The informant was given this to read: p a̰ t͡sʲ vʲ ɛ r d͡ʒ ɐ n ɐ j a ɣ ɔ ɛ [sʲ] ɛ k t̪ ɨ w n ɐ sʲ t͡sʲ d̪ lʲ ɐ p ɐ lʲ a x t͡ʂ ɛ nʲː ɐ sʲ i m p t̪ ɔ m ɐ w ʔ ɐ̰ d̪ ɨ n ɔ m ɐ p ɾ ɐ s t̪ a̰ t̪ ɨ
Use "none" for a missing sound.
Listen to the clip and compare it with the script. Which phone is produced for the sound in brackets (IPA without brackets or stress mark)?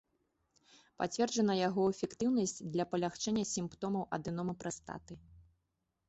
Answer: fʲ